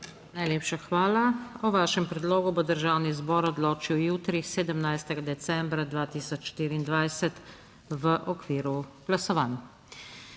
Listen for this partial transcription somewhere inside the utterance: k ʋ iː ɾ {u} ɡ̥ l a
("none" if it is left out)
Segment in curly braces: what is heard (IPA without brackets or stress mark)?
u